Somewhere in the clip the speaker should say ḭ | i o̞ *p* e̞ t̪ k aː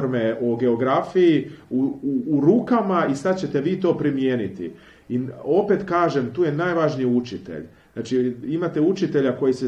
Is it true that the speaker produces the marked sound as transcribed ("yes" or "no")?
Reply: yes